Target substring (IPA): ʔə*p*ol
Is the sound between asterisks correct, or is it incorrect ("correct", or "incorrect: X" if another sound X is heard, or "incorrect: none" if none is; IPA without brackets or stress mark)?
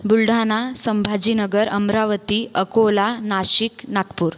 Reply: incorrect: k